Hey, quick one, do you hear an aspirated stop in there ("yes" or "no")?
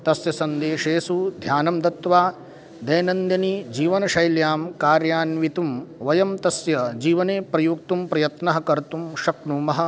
no